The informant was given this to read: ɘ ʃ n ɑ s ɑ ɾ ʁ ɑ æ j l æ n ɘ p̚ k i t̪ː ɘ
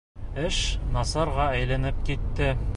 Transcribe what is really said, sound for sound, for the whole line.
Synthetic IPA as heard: ɘ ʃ n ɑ s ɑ ɾ ʁ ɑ æ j l æ n ɘ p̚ k i t̪ː ɘ

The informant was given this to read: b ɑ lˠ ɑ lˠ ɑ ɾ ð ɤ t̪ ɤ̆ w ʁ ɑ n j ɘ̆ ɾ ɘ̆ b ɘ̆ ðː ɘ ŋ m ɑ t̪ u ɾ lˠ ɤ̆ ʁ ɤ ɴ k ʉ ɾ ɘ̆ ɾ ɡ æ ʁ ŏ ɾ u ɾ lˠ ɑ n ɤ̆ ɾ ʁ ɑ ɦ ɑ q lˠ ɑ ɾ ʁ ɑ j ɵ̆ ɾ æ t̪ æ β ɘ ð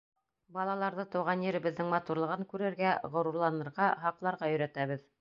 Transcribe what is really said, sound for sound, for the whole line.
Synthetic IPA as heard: b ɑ lˠ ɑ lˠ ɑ ɾ ð ɤ t̪ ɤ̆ w ʁ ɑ n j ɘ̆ ɾ ɘ̆ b ɘ̆ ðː ɘ ŋ m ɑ t̪ u ɾ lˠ ɤ̆ ʁ ɤ ŋ k ʉ ɾ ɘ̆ ɾ ɡ æ ʁ ŏ ɾ u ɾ lˠ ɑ n ɤ̆ ɾ ʁ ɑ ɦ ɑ q lˠ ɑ ɾ ʁ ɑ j ɵ̆ ɾ æ t̪ æ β ɘ ð

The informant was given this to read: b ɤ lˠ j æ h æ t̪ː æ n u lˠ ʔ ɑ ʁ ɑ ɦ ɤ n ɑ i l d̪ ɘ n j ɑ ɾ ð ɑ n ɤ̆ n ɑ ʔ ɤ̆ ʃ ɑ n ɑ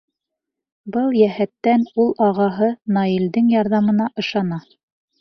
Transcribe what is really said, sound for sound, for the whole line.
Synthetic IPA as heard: b ɤ lˠ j æ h æ t̪ː æ n u lˠ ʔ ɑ ʁ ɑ ɦ ɤ n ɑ i l d̪ ɘ ŋ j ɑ ɾ ð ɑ m ɤ̆ n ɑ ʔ ɤ̆ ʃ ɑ n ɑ

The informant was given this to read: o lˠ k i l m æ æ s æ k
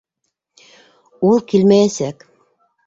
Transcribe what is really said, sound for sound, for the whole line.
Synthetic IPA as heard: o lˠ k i l m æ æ s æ k

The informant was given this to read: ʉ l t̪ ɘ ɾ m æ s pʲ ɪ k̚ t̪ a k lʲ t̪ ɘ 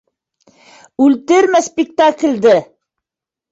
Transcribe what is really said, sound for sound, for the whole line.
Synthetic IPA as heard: ʉ l t̪ ɘ ɾ m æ s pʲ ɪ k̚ t̪ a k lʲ d̪ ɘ

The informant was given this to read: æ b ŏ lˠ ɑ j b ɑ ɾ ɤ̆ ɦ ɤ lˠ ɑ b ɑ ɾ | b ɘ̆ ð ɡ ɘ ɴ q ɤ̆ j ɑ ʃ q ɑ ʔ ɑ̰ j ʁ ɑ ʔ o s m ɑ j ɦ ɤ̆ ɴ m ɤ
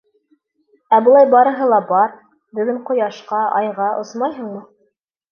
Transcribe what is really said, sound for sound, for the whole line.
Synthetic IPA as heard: æ b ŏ lˠ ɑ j b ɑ ɾ ɤ̆ ɦ ɤ lˠ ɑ b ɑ ɾ | b ɘ̆ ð ɡ ɘ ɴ q ŏ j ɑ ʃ q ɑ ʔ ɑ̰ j ʁ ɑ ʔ o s m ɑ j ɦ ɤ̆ ɴ m ɤ

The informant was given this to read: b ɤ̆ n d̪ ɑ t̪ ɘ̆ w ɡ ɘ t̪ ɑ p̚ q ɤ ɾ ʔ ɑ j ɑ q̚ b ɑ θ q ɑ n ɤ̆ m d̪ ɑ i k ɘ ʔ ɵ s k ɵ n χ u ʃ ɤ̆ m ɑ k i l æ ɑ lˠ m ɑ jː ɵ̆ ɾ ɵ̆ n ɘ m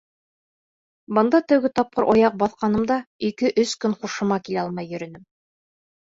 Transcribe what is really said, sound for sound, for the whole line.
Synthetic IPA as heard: b ɤ̆ n d̪ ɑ t̪ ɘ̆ w ɡ ɘ t̪ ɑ p̚ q ɤ ɾ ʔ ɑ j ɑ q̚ b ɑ θ q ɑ n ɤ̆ m d̪ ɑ i k ɘ ʔ ɵ s k ɵ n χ u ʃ ɤ̆ m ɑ k i l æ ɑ lˠ m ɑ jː ɵ̆ ɾ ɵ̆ n ɘ m

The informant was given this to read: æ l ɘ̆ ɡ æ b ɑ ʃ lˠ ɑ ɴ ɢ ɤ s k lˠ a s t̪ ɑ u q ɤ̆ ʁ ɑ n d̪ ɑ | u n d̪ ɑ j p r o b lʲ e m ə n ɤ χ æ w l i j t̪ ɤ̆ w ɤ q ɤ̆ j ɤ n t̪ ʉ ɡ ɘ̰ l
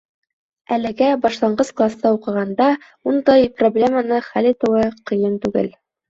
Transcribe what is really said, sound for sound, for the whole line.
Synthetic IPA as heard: æ l ɘ̆ ɡ æ b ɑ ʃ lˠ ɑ ɴ ɢ ɤ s k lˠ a s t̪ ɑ u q ɤ̆ ʁ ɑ n d̪ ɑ | u n d̪ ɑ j p r o b lʲ e m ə n ɤ χ æ l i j t̪ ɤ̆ w ɤ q ɤ̆ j ɤ n t̪ ʉ ɡ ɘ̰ l

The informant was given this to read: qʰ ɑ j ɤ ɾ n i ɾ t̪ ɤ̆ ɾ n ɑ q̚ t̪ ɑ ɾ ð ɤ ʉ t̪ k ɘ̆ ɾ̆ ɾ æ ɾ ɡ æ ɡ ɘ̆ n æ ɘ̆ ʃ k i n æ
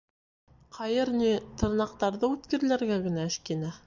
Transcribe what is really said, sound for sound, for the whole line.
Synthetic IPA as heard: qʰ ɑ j ɤ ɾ n i t̪ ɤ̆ ɾ n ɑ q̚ t̪ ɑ ɾ ð ɤ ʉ t̪ k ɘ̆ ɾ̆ l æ ɾ ɡ æ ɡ ɘ̆ n æ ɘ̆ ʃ k i n æ

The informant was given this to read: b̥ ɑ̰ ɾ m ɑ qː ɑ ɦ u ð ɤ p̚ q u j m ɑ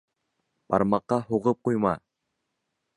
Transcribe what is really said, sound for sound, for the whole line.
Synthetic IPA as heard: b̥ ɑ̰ ɾ m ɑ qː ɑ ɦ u ʁ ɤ p̚ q u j m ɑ

